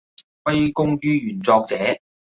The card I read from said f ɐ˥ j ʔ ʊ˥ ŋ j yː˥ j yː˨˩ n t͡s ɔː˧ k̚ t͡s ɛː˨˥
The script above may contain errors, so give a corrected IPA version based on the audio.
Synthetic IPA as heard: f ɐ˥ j k ʊ˥ ŋ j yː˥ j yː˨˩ n t͡s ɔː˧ k̚ t͡s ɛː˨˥

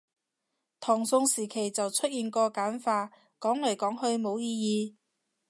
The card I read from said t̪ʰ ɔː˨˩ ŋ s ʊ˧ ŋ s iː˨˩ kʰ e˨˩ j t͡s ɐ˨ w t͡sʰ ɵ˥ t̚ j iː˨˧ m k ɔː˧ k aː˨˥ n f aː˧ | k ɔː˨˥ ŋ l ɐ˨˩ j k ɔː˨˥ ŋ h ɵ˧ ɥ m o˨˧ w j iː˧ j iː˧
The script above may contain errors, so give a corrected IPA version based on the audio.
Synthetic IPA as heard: t̪ʰ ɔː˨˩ ŋ s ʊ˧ ŋ s iː˨˩ kʰ e˨˩ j t͡s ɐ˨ w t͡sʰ ɵ˥ t̚ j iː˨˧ n k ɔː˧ k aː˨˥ n f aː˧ | k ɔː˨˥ ŋ l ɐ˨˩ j k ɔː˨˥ ŋ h ɵ˧ ɥ m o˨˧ w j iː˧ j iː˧

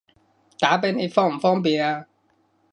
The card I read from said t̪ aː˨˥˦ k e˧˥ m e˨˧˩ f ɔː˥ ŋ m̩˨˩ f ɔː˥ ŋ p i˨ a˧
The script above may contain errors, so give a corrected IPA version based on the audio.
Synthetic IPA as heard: t̪ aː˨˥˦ p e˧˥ n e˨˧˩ f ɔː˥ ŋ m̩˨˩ f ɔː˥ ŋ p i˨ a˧

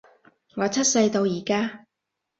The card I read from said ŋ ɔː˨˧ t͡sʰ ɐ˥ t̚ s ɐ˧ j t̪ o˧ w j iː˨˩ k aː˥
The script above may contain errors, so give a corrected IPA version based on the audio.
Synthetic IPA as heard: ŋ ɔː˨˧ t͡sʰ ɐ˥ t̚ s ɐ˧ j t̪ o˧ w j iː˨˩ k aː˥

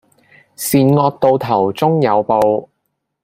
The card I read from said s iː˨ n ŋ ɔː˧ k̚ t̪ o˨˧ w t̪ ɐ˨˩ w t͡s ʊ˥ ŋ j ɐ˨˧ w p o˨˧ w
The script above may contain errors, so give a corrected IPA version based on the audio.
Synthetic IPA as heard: s iː˨ n ŋ ɔː˧ k̚ t̪ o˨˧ w t̪ʰ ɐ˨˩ w t͡s ʊ˥ ŋ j ɐ˨˧ w p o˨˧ w

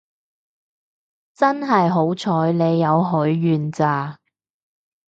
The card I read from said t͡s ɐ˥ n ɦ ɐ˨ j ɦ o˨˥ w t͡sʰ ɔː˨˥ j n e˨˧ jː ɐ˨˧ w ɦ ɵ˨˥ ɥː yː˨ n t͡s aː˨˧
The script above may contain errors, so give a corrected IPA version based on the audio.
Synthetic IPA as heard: t͡s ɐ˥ n ɦ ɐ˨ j ɦ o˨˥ w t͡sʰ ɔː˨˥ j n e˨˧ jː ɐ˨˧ w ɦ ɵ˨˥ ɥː yː˨ n t͡s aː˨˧

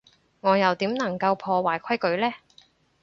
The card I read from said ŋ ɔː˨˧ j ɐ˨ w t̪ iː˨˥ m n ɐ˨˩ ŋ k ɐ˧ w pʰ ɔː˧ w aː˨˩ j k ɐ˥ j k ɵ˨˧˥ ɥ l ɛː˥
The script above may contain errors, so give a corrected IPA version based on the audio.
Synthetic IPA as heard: ŋ ɔː˨˧ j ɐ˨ w t̪ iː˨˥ m n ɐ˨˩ ŋ k ɐ˧ w pʰ ɔː˧ w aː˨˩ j kʰ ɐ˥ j k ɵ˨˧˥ ɥ l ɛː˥

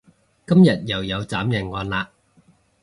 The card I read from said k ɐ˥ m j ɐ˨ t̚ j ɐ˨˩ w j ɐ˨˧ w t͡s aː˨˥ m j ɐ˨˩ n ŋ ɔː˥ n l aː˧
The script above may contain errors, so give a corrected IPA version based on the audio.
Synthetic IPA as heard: k ɐ˥ m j ɐ˨ t̚ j ɐ˨˩ w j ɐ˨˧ w t͡s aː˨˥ m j ɐ˨˩ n ŋ ɔː˨˧ n l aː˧

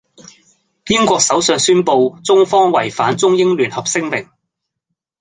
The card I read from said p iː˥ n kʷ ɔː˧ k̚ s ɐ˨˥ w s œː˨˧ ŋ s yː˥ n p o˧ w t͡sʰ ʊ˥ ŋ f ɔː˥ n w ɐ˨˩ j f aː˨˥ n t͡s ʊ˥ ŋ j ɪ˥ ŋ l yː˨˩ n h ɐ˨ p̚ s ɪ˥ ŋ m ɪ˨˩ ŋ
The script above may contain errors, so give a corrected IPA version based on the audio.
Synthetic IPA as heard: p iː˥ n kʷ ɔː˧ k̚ s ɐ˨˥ w s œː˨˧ ŋ s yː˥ n p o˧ w t͡s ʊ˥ ŋ f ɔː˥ ŋ w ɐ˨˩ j f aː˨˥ n t͡s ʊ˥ ŋ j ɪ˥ ŋ l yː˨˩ n h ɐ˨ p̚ s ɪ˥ ŋ m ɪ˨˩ ŋ

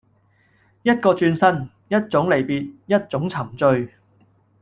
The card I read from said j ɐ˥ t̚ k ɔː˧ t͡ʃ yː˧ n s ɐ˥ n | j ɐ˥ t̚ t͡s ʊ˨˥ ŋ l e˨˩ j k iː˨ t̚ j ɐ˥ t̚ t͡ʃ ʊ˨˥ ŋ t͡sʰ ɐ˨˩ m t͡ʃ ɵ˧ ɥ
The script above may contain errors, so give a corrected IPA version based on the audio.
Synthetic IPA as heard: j ɐ˥ t̚ k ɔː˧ t͡ʃ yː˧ n s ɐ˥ n | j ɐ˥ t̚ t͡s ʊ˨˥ ŋ l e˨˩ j p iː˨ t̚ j ɐ˥ t̚ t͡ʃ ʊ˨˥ ŋ t͡sʰ ɐ˨˩ m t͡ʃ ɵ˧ ɥ

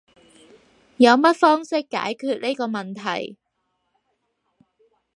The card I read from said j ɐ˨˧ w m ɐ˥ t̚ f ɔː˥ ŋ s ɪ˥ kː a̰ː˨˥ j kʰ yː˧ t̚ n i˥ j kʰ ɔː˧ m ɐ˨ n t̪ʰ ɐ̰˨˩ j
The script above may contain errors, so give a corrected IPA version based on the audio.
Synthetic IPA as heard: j ɐ˨˧ w m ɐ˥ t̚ f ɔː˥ ŋ s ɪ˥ kː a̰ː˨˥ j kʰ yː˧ t̚ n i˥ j k ɔː˧ m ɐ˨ n t̪ʰ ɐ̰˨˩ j

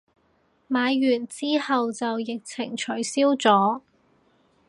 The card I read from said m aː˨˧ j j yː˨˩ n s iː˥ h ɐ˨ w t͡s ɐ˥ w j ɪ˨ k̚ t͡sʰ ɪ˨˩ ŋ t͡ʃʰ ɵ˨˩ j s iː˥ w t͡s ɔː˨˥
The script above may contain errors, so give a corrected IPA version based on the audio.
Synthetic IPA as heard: m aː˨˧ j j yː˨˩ n t͡s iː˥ h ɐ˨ w t͡s ɐ˨ w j ɪ˨ k̚ t͡sʰ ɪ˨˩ ŋ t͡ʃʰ ɵ˨˩ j s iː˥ w t͡s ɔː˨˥

